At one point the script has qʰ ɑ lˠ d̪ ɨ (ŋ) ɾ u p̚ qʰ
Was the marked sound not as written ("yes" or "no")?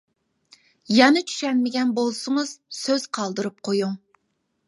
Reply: yes